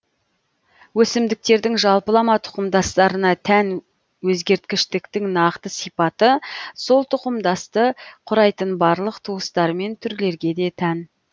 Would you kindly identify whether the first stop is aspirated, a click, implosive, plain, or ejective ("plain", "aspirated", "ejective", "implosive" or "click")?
plain